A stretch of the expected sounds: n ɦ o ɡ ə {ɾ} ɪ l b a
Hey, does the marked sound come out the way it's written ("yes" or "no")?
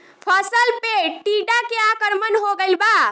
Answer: no